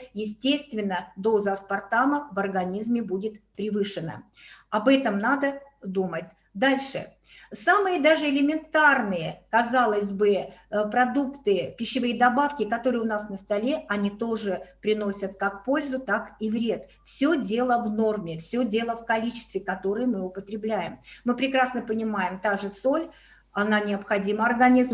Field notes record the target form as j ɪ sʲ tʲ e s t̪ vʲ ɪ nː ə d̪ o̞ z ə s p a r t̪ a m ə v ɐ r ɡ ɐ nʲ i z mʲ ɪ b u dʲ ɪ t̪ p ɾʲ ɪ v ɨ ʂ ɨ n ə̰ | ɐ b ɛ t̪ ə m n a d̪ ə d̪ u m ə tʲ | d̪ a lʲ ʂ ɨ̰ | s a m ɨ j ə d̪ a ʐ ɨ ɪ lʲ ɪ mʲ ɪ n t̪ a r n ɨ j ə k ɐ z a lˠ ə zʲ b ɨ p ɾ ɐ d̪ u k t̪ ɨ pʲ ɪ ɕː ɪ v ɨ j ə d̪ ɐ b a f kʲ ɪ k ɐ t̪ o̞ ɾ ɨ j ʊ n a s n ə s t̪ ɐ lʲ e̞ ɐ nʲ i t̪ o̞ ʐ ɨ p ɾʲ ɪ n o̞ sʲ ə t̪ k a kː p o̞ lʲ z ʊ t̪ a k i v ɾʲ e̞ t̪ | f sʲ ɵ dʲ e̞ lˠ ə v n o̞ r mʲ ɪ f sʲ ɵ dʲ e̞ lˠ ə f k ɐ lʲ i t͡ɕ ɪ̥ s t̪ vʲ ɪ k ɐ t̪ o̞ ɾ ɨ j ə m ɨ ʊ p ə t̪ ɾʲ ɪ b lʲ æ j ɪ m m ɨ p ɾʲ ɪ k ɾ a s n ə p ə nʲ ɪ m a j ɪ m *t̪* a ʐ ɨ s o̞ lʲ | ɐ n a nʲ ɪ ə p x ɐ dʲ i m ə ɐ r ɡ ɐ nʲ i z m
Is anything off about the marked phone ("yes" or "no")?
no